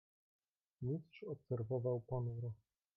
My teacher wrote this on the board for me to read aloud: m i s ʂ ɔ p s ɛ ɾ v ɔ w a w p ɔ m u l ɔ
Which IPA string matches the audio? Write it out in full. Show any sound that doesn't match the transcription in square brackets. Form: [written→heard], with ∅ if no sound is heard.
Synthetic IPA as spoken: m i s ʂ ɔ p s ɛ ɾ v ɔ [w→v] a w p ɔ [m→n] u [l→ɾ] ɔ